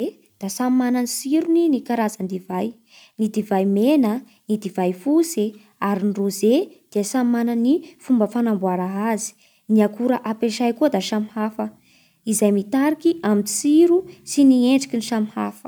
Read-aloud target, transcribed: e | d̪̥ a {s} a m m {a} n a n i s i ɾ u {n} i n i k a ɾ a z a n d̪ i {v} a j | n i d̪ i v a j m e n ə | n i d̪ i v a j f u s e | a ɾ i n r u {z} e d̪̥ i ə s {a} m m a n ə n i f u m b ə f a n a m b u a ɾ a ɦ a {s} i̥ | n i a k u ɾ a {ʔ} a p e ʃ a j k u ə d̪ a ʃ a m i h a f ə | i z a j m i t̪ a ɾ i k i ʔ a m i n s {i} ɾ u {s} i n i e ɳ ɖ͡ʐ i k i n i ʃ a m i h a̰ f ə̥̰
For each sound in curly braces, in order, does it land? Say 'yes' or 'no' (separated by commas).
yes, yes, yes, yes, yes, yes, no, yes, yes, yes